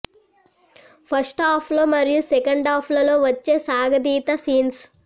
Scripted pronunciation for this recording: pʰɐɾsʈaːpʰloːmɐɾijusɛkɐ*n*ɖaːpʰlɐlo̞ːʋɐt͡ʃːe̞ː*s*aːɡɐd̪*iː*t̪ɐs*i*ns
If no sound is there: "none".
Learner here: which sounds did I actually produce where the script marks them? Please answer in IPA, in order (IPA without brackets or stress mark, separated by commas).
ɳ, s, iː, iː